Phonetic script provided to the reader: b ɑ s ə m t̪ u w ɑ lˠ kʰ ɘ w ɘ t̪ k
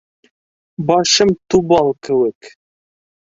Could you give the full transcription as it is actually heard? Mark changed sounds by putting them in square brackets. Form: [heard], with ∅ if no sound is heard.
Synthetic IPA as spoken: b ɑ [ʃ] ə m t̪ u [b] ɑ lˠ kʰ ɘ w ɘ [∅] k